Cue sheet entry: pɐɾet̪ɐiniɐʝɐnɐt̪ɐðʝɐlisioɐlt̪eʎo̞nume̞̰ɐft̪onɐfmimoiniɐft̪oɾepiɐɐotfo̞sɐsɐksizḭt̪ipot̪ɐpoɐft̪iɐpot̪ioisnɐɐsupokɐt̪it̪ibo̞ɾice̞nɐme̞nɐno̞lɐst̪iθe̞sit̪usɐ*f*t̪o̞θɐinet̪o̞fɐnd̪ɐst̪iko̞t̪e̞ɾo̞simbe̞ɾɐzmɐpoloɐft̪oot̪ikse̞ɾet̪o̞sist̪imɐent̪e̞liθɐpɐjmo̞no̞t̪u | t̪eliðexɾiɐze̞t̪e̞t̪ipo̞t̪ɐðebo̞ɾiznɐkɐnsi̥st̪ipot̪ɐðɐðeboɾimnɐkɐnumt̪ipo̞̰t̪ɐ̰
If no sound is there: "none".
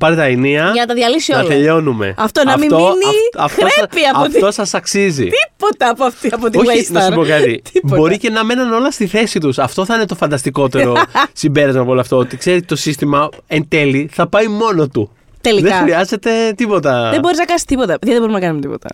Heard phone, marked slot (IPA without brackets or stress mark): f